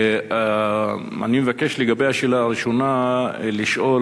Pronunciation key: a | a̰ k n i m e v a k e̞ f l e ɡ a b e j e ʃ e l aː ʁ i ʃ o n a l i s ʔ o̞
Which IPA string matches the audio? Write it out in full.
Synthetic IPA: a | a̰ n i m e v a k e̞ ʃ l e ɡ a b e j a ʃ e l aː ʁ i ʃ o n a l i ʃ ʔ o̞